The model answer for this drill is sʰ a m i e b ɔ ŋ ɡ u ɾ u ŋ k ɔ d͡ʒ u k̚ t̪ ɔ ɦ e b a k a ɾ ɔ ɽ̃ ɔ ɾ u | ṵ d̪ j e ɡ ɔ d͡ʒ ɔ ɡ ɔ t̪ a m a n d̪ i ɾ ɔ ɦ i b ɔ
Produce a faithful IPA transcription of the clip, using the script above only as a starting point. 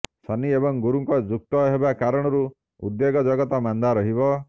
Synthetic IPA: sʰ a n i e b ɔ ŋ ɡ u ɾ u ŋ k ɔ d͡ʒ u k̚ t̪ ɔ ɦ e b a k a ɾ ɔ ɽ̃ ɔ ɾ u | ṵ d̪ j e ɡ ɔ d͡ʒ ɔ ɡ ɔ t̪ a m a n d̪ a ɾ ɔ ɦ i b ɔ